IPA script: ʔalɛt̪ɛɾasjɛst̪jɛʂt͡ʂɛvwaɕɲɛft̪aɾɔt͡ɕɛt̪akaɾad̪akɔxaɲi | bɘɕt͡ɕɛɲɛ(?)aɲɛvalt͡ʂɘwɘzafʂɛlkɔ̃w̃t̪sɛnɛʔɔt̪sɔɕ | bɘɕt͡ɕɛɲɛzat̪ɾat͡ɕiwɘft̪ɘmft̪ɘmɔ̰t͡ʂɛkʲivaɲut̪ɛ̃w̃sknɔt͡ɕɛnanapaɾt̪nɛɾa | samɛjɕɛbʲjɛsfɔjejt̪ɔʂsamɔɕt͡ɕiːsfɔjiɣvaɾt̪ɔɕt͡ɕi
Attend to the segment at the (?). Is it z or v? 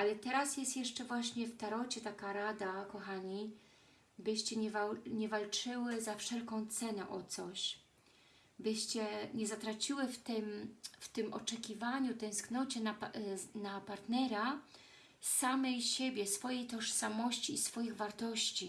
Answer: v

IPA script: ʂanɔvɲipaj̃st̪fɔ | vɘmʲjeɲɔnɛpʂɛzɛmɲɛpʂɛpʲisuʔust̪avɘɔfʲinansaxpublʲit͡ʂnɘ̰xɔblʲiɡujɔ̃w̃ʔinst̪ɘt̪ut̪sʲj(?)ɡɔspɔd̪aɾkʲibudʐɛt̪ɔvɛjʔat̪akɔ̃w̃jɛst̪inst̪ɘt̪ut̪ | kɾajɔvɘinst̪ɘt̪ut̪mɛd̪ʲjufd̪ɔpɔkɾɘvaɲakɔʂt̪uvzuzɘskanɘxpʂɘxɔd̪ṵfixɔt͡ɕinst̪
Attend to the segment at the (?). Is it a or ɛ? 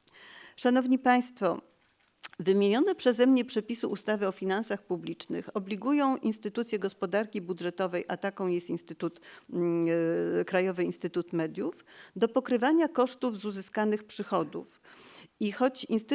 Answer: ɛ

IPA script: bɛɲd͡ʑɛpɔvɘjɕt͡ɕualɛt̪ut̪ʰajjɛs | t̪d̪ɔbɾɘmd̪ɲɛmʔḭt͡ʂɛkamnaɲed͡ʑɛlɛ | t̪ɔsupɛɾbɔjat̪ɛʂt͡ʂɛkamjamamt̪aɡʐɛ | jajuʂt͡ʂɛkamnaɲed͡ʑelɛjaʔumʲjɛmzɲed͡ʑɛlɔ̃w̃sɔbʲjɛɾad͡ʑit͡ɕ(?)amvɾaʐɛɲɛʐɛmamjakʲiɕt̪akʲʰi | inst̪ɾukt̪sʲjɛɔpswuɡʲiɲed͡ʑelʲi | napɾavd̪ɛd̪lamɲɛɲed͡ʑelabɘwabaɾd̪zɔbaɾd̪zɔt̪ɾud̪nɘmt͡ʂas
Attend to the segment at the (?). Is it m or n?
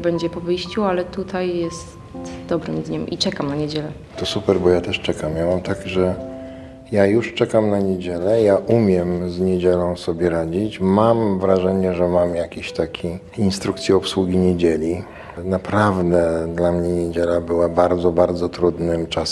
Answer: m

